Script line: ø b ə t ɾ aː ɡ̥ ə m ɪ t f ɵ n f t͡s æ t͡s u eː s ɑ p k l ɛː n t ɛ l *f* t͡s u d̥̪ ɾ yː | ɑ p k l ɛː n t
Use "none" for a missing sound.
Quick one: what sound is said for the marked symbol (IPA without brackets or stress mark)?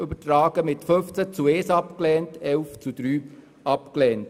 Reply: f